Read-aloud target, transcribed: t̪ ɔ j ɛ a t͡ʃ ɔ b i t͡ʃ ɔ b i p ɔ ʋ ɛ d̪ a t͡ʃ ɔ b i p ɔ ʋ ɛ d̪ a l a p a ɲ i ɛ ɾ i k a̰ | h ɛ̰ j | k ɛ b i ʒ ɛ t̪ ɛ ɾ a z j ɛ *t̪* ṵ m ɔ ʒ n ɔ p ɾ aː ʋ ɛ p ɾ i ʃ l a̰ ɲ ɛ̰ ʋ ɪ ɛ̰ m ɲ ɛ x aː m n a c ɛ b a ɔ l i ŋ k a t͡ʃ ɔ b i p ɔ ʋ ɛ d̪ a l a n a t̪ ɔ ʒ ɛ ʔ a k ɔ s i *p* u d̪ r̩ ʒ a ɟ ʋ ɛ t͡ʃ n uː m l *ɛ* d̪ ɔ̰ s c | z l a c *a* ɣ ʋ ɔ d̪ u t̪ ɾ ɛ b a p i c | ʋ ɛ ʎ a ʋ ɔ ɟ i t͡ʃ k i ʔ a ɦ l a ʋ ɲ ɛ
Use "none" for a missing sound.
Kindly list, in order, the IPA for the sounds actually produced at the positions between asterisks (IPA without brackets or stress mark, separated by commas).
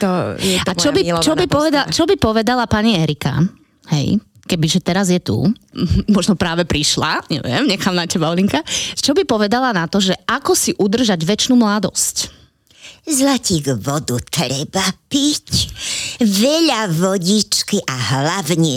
t̪, ʔ, a, i